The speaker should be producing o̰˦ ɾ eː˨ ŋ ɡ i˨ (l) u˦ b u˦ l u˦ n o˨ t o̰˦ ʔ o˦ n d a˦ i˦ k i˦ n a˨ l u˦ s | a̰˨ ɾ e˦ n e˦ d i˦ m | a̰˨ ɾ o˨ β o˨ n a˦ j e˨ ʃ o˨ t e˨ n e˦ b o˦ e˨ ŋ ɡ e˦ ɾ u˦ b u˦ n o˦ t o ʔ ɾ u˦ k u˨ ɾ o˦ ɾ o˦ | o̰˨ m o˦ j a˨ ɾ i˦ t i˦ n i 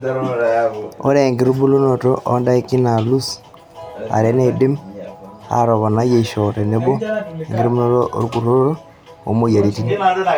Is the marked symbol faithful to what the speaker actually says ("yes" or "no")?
no